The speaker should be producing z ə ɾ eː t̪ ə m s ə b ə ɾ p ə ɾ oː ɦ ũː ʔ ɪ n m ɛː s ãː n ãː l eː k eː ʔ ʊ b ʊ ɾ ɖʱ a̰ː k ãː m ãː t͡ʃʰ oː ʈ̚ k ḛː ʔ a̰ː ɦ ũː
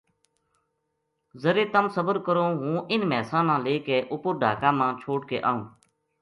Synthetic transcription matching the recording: z ə ɾ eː t̪ ə m s ə b ə ɾ k ə ɾ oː ɦ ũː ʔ ɪ n m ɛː s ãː n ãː l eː k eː ʔ ʊ p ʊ ɾ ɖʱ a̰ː k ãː m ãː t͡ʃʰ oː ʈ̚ k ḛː ʔ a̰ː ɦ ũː